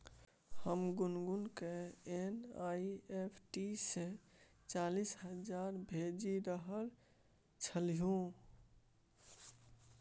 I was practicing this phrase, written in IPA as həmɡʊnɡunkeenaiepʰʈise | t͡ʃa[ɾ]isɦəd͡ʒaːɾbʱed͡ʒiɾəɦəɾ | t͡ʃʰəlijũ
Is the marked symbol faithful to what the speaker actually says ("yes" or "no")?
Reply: no